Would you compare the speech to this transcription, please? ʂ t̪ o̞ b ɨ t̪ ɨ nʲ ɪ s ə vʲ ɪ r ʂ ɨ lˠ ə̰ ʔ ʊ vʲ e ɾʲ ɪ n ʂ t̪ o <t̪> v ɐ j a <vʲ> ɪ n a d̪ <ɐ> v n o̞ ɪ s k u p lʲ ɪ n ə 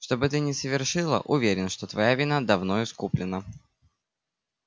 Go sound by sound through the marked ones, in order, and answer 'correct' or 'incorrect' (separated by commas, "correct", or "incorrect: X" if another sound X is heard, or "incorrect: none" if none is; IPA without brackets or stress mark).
correct, correct, correct